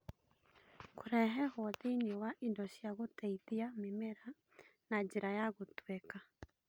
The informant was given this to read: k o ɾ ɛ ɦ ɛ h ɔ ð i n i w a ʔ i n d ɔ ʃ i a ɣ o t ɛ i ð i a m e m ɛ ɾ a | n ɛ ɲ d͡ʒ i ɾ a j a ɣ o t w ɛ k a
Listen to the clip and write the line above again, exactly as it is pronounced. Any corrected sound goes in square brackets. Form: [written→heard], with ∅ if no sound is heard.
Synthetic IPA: k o ɾ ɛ ɦ ɛ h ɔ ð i n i w a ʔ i n d ɔ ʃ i a ɣ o t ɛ i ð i a m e m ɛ ɾ a | n [ɛ→a] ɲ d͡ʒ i ɾ a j a ɣ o t w ɛ k a